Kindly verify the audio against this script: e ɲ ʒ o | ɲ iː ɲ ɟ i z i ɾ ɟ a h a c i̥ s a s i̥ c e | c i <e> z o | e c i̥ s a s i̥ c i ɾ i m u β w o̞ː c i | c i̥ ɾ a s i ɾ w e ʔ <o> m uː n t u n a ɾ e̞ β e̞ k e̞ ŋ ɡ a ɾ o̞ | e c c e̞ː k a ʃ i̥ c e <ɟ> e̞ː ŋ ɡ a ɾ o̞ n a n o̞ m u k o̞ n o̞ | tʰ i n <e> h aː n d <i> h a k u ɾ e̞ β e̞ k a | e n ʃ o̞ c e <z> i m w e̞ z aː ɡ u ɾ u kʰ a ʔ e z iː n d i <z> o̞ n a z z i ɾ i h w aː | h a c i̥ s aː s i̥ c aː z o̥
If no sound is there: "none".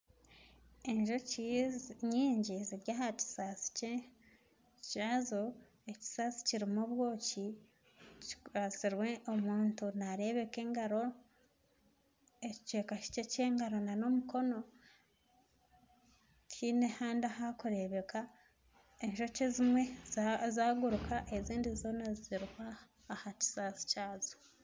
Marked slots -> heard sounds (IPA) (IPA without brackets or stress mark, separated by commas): a, o, c, e, a, z, z